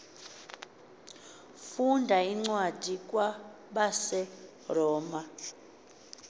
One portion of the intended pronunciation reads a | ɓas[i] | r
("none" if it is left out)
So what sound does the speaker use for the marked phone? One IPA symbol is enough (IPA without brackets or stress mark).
ɛ